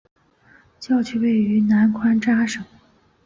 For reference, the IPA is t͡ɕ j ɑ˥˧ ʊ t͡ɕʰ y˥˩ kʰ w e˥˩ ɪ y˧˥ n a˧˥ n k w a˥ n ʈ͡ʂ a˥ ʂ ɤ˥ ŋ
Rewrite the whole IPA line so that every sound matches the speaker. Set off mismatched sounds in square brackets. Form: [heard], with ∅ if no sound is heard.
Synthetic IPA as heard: t͡ɕ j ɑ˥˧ ʊ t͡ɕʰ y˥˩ [∅] w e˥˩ ɪ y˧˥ n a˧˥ n [kʰ] w a˥ n ʈ͡ʂ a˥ ʂ [ɤ˨˩˦] ŋ